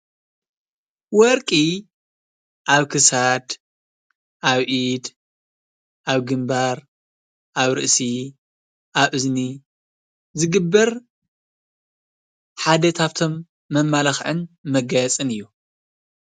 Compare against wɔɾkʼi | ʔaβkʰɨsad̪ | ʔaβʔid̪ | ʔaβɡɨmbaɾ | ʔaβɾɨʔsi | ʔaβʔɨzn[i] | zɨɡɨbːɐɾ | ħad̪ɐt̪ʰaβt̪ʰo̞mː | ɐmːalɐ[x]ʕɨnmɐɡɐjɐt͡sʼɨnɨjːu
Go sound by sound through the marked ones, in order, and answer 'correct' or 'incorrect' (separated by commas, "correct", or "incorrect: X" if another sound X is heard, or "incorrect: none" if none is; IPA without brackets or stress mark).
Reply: correct, correct